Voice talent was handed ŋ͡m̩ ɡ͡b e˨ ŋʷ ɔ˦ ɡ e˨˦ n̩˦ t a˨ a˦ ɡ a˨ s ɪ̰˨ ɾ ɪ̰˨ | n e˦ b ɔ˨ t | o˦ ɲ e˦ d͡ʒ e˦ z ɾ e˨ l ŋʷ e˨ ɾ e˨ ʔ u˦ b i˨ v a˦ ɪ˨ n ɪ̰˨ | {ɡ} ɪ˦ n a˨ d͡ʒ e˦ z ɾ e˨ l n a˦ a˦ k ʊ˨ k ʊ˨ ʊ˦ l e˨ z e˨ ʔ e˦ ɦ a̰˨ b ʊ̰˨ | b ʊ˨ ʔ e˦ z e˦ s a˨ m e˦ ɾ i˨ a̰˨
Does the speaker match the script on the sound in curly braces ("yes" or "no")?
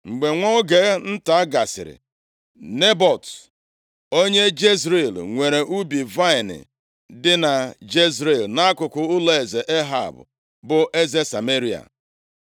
no